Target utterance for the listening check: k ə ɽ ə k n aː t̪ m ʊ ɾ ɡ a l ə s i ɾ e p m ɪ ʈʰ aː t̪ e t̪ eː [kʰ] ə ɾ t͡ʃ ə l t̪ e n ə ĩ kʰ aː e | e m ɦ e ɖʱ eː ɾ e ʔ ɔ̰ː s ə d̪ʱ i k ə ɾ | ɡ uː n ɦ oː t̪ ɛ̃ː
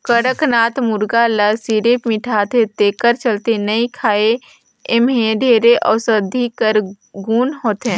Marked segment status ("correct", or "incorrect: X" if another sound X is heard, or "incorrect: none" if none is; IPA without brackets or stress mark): incorrect: k